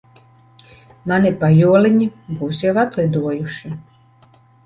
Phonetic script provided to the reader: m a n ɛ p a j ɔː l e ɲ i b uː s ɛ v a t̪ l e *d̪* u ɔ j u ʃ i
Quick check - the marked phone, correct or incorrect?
correct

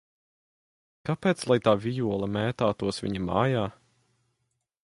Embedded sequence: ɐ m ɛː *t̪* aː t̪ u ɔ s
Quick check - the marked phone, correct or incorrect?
correct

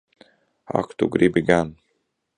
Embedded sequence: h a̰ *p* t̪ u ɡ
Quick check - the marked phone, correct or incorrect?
incorrect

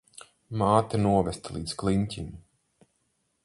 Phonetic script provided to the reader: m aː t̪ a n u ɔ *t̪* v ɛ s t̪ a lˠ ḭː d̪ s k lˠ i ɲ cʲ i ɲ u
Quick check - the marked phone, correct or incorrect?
incorrect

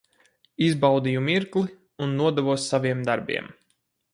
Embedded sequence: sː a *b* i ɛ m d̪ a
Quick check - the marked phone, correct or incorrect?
incorrect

